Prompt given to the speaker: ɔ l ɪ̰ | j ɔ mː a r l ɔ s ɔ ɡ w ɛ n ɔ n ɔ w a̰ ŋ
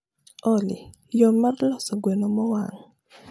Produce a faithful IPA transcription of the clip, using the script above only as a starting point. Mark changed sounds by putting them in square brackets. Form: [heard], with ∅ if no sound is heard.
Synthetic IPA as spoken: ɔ l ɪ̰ | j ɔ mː a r l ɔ s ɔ ɡ w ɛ n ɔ [m] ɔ w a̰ ŋ